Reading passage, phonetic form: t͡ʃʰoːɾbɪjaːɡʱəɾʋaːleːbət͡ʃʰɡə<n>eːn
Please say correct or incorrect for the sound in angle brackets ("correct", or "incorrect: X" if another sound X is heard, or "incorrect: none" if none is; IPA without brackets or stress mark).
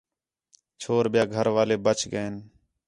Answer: incorrect: none